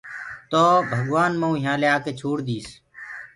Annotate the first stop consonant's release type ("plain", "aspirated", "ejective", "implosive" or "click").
plain